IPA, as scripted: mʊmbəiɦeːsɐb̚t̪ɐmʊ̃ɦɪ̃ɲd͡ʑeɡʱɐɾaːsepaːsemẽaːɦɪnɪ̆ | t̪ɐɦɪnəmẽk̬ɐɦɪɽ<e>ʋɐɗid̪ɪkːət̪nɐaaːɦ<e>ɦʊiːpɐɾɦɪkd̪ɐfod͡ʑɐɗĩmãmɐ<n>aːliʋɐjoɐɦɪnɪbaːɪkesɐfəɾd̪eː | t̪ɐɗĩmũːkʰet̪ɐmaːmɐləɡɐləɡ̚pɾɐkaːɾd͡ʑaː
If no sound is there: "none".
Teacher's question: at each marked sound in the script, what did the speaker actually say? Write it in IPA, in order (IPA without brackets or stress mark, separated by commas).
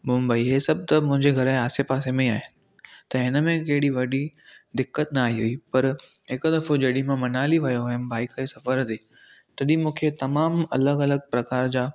i, i, n